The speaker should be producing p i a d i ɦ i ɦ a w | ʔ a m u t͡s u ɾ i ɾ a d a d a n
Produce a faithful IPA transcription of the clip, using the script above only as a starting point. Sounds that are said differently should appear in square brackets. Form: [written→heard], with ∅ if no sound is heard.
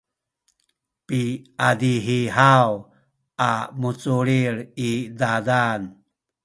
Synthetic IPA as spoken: p i a d i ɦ i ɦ a w | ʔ a m u t͡s u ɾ i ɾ [a→i] d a d a n